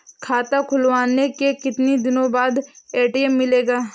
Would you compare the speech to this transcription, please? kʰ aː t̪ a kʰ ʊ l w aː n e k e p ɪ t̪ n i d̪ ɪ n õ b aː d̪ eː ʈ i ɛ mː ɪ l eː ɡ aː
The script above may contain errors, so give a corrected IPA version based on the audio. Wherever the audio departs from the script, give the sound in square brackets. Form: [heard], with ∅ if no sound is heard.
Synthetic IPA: kʰ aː t̪ a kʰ ʊ l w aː n e k e [k] ɪ t̪ n i d̪ ɪ n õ b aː d̪ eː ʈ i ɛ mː ɪ l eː ɡ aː